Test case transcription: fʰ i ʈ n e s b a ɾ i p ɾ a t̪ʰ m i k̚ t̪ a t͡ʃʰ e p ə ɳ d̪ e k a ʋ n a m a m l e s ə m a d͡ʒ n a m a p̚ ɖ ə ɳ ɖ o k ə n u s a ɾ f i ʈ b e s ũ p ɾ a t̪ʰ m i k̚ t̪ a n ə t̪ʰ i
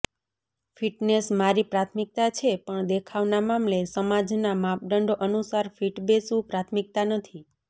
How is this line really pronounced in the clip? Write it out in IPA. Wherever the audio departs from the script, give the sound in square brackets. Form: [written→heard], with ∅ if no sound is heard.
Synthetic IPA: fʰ i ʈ n e s [b→m] a ɾ i p ɾ a t̪ʰ m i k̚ t̪ a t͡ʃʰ e p ə ɳ d̪ e [k→kʰ] a ʋ n a m a m l e s ə m a d͡ʒ n a m a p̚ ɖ ə ɳ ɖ o [k→ʔ] ə n u s a ɾ f i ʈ b e s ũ p ɾ a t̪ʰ m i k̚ t̪ a n ə t̪ʰ i